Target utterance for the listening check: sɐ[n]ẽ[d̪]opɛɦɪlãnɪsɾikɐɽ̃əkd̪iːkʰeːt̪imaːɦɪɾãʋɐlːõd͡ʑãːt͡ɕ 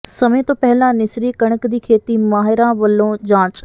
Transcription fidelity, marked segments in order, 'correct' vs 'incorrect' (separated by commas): incorrect, incorrect